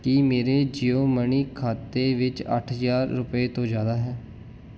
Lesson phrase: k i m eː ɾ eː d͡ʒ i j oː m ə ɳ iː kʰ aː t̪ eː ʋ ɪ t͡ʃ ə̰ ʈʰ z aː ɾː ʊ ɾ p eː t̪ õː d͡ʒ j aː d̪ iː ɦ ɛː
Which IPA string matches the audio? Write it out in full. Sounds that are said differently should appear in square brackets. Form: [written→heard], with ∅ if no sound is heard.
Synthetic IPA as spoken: k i m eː ɾ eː d͡ʒ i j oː m ə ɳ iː kʰ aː t̪ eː ʋ ɪ t͡ʃ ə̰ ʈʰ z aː ɾː ʊ [ɾ→∅] p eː t̪ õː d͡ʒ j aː d̪ [iː→aː] ɦ ɛː